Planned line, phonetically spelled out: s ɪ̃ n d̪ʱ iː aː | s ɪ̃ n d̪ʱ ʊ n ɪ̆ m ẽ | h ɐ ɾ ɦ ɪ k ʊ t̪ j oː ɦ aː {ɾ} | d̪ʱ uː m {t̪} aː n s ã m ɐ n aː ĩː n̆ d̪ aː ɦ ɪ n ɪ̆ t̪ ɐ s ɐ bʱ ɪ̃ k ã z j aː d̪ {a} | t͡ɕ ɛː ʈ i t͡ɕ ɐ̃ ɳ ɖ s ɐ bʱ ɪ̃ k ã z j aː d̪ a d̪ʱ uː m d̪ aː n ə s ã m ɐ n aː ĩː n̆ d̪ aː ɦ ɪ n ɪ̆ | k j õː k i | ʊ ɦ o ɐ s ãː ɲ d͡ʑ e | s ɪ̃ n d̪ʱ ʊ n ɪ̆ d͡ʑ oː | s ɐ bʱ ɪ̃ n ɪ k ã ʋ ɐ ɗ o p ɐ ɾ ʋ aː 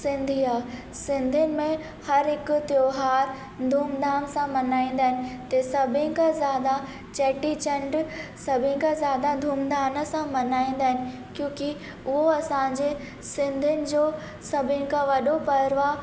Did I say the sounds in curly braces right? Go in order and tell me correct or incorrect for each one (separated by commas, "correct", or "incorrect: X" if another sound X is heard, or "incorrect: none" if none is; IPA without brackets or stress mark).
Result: correct, incorrect: d̪, correct